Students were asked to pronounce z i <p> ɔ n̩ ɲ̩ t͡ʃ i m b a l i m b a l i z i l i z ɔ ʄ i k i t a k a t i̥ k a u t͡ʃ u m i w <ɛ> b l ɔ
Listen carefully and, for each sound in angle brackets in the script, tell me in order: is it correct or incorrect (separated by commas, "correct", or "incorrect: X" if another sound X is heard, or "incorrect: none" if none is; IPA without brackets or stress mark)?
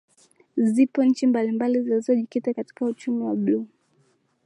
correct, incorrect: a